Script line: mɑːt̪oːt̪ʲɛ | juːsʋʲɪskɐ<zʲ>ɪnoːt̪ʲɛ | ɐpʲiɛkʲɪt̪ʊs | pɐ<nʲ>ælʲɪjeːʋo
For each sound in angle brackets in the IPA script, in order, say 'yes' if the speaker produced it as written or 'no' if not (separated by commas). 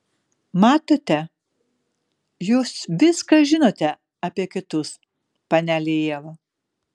no, yes